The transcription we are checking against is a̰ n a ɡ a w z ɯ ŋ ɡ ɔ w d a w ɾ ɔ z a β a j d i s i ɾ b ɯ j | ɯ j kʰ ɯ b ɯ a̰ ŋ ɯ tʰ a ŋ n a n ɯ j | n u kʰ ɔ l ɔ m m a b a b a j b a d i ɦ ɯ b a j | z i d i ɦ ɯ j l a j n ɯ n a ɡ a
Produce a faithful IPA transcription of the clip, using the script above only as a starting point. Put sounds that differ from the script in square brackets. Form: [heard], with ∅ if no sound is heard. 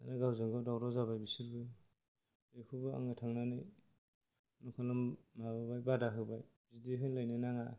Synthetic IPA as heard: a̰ n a ɡ a w z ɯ ŋ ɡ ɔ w d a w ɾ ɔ z a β a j [b] i s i ɾ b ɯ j | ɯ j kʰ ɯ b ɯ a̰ ŋ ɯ tʰ a ŋ n a n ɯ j | n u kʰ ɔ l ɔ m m a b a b a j b a d [a] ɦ ɯ b a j | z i d i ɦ ɯ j l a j n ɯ n a [ŋ] a

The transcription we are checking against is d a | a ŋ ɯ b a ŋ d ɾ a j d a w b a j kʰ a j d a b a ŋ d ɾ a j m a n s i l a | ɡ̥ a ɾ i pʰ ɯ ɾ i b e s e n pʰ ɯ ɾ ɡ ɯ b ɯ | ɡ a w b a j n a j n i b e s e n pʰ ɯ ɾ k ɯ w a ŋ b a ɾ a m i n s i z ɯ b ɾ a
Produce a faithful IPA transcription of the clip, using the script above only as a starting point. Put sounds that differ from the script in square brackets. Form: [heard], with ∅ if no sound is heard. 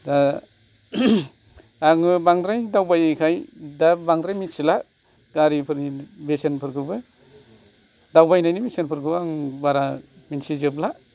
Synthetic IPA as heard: d a | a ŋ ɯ b a ŋ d ɾ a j d a w b a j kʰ a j d a b a ŋ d ɾ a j m [i] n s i l a | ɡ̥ a ɾ i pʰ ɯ ɾ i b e s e n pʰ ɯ ɾ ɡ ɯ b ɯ | [d] a w b a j n a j n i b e s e n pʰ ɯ ɾ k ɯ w a ŋ b a ɾ a m i n s i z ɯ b [l] a

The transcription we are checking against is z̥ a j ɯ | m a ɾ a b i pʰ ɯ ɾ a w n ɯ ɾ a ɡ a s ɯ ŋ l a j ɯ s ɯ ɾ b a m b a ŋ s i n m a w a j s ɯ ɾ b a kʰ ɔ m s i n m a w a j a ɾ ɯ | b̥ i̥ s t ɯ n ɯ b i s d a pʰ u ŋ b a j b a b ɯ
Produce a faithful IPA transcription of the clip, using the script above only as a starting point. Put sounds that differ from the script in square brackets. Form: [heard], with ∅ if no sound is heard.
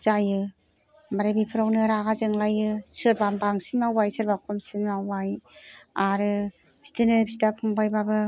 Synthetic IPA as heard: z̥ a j ɯ | m a ɾ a b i pʰ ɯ ɾ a w n ɯ ɾ a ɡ a [z] ɯ ŋ l a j ɯ s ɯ ɾ b a m b a ŋ s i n m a w a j s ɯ ɾ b a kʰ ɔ m s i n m a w a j a ɾ ɯ | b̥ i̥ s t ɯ n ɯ b i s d a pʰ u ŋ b a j b a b ɯ

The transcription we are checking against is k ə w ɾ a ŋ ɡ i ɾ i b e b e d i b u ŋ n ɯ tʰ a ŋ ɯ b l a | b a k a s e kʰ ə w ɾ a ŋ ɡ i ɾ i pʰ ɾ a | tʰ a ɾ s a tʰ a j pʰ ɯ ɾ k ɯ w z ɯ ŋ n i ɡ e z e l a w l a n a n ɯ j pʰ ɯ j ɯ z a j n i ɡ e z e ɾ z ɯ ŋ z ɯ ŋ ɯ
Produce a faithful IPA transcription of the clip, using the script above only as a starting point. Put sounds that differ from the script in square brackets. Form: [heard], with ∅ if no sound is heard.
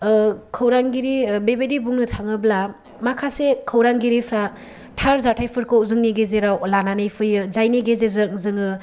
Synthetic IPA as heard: [kʰ] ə w ɾ a ŋ ɡ i ɾ i b e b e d i b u ŋ n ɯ tʰ a ŋ ɯ b l a | [m] a [kʰ] a s e kʰ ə w ɾ a ŋ ɡ i ɾ i pʰ ɾ a | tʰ a ɾ [z] a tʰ a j pʰ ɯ ɾ k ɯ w z ɯ ŋ n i ɡ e z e [ɾ] a w l a n a n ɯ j pʰ ɯ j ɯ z a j n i ɡ e z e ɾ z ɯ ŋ z ɯ ŋ ɯ

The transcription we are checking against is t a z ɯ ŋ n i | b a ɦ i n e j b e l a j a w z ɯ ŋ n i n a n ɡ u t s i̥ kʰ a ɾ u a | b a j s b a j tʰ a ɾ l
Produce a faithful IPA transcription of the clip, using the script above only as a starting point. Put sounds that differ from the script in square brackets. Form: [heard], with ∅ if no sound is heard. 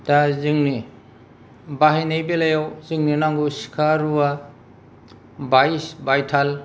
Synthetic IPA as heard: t a z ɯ ŋ n i | b a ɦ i n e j b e l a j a w z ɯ ŋ n i n a [ŋ] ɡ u [∅] s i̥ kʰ a ɾ u a | b a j s b a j tʰ a [∅] l

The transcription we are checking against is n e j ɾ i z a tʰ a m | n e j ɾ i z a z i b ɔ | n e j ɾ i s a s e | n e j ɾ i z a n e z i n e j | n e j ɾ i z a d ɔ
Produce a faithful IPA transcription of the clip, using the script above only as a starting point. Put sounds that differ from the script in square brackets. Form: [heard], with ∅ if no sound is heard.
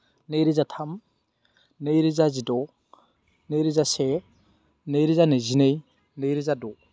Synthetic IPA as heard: n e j ɾ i z a tʰ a m | n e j ɾ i z a z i [d] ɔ | n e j ɾ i [z] a s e | n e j ɾ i z a n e z i n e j | n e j ɾ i z a d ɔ

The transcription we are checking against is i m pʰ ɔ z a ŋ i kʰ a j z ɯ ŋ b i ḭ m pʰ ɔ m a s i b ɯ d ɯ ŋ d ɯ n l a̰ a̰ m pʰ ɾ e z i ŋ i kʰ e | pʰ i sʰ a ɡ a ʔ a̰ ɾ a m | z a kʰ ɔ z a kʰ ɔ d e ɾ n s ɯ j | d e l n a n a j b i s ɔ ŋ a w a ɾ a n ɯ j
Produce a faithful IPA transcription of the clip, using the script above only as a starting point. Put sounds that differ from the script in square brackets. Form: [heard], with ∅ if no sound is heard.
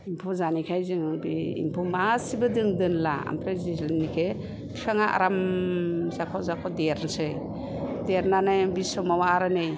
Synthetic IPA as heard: i m pʰ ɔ z a [n] i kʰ a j z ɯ ŋ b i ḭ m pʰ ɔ m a s i b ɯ d ɯ ŋ d ɯ n l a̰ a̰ m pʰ ɾ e z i [n] i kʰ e | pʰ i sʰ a [ŋ] a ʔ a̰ ɾ a m | z a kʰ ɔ z a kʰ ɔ d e ɾ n s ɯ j | d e [ɾ] n a n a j b i s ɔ [m] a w a ɾ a n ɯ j

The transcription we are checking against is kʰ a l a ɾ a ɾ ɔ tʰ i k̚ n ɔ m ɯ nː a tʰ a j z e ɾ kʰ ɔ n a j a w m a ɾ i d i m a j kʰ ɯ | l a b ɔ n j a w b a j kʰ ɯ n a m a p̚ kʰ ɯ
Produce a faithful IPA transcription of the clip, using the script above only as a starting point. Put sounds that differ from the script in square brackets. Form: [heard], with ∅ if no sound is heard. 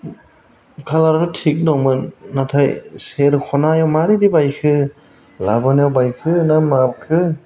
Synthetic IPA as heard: kʰ a l a ɾ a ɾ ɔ tʰ i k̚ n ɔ m ɯ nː a tʰ a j [s] e ɾ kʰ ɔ n a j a w m a ɾ i d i [b] a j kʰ ɯ | l a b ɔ n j a w b a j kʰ ɯ n a m a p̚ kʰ ɯ

